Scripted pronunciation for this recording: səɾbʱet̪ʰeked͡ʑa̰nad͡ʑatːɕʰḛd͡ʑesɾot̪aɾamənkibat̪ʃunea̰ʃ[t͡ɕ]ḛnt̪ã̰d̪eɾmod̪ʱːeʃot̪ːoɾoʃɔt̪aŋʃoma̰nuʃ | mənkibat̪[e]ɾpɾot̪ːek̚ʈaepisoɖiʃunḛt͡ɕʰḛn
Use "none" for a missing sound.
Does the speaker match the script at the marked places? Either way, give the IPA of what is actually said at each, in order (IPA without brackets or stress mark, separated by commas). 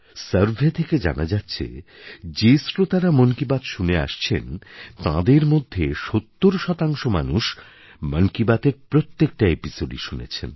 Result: t͡ɕʰ, e